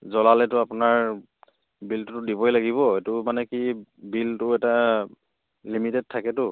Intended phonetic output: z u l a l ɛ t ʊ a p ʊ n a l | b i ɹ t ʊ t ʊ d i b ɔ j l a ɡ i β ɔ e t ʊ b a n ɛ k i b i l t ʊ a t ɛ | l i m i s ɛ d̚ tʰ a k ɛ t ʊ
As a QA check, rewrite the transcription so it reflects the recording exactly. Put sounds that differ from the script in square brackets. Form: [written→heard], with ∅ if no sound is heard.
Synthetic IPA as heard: z [u→ɔ] l a l ɛ t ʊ a p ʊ n a [l→ɹ] | b i [ɹ→l] t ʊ t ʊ d i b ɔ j l a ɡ i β ɔ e t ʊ [b→m] a n ɛ k i b i l t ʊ [a→ɛ] t [ɛ→a] | l i m i [s→t] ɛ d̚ tʰ a k ɛ t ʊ

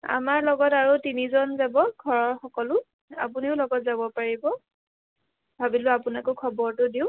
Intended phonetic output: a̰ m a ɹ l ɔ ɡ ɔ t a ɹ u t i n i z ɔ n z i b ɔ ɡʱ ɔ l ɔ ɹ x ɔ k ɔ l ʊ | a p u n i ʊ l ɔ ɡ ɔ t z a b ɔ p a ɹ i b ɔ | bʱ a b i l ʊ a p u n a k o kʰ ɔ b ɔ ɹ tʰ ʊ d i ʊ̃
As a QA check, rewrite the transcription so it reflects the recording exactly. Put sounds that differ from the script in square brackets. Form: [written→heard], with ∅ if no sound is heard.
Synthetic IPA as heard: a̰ m a ɹ l ɔ ɡ ɔ t a ɹ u t i n i z ɔ n z [i→a] b ɔ ɡʱ ɔ [l→ɹ] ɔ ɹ x ɔ k ɔ l ʊ | a p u n i ʊ l ɔ ɡ ɔ t z a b ɔ p a ɹ i b ɔ | bʱ a b i l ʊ a p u n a k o kʰ ɔ b ɔ ɹ [tʰ→t] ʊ d i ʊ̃

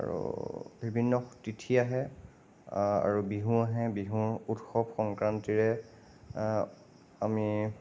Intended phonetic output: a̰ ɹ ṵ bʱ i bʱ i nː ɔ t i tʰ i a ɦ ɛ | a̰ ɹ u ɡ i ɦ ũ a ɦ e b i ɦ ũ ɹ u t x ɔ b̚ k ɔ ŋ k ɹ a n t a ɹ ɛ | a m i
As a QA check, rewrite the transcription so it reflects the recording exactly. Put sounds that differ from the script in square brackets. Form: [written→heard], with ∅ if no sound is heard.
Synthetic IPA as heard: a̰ ɹ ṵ bʱ i bʱ i nː ɔ t i tʰ i a ɦ ɛ | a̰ ɹ u [ɡ→b] i ɦ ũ a ɦ [e→ɛ] b i ɦ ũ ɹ u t x ɔ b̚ [k→x] ɔ ŋ k ɹ a n t [a→i] ɹ ɛ | a m i

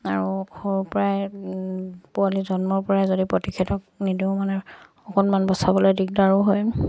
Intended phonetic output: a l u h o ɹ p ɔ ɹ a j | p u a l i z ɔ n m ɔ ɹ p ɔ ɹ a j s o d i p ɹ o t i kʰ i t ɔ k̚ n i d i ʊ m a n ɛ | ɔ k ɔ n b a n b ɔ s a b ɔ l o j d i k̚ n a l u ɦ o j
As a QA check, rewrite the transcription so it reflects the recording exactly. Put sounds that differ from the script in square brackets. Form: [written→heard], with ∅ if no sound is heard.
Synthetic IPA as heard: a [l→ɹ] u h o ɹ p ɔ ɹ a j | p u a l i z ɔ n m ɔ ɹ p ɔ ɹ a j [s→z] o d i p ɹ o t i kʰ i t ɔ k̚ n i d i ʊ m a n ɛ | ɔ k ɔ n [b→m] a n b ɔ s a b ɔ l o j d i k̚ [n→d] a [l→ɹ] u ɦ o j

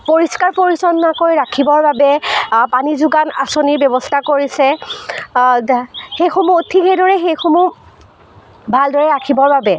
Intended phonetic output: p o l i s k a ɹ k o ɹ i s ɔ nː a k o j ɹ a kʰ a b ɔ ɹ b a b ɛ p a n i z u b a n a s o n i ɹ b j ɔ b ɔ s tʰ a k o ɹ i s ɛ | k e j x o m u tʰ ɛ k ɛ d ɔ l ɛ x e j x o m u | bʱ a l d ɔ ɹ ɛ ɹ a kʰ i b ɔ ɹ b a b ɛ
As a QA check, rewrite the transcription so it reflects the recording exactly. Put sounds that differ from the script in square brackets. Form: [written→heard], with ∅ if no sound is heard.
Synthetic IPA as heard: p o [l→ɹ] i s k a ɹ [k→p] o ɹ i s ɔ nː a k o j ɹ a kʰ [a→i] b ɔ ɹ b a b ɛ p a n i z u [b→ɡ] a n a s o n i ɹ b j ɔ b ɔ s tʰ a k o ɹ i s ɛ | [k→x] e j x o m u tʰ [ɛ→i] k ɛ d ɔ [l→ɹ] ɛ x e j x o m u | bʱ a l d ɔ ɹ ɛ ɹ a kʰ i b ɔ ɹ b a b ɛ

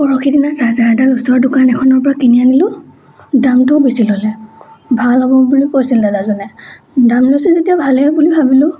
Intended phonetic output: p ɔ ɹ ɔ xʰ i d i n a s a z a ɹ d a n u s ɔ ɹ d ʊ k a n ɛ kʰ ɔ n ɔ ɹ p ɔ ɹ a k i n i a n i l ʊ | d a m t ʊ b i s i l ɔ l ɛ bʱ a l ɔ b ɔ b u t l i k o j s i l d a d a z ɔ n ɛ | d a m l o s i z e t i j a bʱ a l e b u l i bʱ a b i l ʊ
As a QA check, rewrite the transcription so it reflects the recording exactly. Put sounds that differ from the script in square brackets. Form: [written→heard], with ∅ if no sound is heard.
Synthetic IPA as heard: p ɔ ɹ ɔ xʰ i d i n a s a z a ɹ d a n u s ɔ ɹ d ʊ k a n ɛ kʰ ɔ n ɔ ɹ p ɔ ɹ a k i n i a n i l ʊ | d a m t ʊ b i s i l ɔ l ɛ bʱ a l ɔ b ɔ b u [t→∅] l i k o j s i l d a d a z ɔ n ɛ | d a m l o s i z e t i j a bʱ a l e b u l i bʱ a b i l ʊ

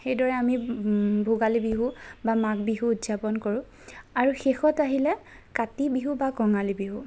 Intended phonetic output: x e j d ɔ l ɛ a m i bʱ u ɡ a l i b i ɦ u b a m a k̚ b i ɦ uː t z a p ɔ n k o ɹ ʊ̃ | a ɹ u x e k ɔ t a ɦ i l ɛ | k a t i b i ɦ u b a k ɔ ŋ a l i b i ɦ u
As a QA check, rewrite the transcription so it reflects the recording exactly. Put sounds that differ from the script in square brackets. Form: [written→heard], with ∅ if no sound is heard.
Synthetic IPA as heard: x e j d ɔ [l→ɹ] ɛ a m i bʱ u ɡ a l i b i ɦ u b a m a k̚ b i ɦ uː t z a p ɔ n k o ɹ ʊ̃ | a ɹ u x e [k→x] ɔ t a ɦ i l ɛ | k a t i b i ɦ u b a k ɔ ŋ a l i b i ɦ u

